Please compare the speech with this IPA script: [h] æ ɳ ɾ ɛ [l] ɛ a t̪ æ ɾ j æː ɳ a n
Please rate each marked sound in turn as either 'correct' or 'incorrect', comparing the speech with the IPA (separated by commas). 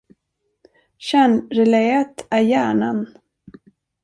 incorrect, correct